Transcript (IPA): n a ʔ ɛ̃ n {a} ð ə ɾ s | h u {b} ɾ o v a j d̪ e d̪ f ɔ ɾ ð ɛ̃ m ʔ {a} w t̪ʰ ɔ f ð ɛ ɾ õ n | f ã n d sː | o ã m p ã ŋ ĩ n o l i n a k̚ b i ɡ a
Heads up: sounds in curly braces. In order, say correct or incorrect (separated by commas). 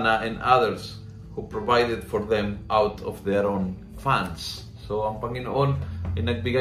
correct, incorrect, correct